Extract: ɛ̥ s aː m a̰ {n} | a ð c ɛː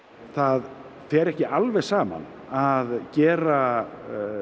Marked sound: correct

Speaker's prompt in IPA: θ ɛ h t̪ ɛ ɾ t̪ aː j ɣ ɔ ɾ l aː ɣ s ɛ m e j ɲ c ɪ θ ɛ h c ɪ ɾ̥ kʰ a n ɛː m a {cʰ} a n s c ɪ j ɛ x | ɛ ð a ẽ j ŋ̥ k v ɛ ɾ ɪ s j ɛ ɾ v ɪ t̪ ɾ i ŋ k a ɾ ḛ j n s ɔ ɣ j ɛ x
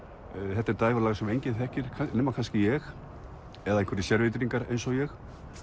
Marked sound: incorrect: kʰ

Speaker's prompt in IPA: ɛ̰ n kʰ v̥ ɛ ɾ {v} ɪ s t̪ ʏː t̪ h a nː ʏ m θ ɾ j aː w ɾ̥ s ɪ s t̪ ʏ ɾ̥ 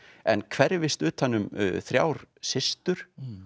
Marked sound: correct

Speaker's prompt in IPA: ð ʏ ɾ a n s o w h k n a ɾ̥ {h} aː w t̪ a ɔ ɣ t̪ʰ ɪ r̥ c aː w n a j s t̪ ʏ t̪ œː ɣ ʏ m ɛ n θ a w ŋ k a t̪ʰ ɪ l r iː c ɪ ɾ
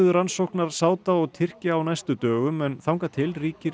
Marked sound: incorrect: s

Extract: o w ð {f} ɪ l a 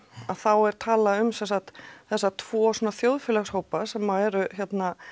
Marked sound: correct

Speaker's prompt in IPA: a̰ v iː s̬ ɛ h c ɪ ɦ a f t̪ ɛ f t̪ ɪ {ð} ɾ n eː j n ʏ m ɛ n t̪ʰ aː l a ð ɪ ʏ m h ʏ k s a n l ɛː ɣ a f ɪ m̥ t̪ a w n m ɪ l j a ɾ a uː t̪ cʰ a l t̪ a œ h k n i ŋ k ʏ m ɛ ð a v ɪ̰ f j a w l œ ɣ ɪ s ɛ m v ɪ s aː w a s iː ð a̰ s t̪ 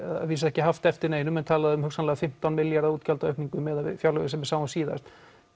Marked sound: incorrect: none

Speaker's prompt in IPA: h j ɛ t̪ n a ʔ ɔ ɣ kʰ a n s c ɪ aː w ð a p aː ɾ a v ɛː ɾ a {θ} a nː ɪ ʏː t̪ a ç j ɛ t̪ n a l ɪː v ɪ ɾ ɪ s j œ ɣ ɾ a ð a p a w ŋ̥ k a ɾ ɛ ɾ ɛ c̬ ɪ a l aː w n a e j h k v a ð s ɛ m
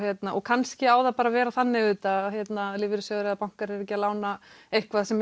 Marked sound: correct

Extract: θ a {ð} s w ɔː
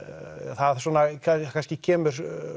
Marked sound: correct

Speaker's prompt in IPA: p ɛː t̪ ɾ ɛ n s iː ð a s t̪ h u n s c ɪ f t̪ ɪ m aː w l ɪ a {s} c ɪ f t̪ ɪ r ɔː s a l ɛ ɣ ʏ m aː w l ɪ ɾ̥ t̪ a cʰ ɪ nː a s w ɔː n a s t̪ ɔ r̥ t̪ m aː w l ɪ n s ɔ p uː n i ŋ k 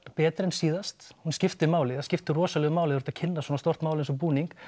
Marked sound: correct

